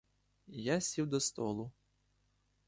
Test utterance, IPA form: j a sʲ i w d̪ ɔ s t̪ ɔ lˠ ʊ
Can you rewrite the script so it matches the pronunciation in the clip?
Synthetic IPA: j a sʲ i w d̪ ɔ s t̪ ɔ lˠ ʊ